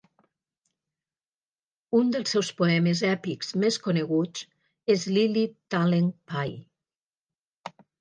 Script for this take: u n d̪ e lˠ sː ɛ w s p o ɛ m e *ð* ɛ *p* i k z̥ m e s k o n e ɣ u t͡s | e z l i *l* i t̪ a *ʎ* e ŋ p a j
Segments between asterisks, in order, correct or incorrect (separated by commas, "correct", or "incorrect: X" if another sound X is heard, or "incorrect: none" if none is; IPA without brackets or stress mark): incorrect: z, correct, correct, incorrect: l